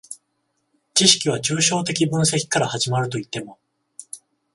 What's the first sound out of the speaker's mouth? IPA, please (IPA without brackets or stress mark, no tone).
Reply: t͡ɕ